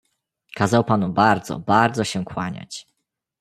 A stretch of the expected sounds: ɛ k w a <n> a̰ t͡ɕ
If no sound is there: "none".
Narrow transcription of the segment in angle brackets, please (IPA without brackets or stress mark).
ɲ